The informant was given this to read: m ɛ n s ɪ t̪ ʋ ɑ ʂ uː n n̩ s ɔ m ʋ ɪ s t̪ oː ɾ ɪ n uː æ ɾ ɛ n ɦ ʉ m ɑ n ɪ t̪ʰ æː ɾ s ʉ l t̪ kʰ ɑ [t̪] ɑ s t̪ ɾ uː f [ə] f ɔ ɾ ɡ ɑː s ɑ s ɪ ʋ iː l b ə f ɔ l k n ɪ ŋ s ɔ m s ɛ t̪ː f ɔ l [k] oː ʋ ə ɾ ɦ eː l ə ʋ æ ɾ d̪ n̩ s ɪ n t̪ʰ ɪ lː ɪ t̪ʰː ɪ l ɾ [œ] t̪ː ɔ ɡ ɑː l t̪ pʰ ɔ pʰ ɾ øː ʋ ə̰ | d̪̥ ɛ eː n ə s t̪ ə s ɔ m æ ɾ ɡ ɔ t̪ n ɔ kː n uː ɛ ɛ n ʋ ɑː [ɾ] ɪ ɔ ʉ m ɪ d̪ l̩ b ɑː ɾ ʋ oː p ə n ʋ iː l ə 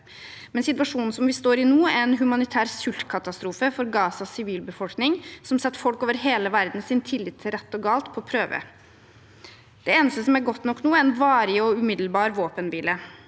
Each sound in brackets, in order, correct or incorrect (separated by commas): correct, correct, correct, incorrect, correct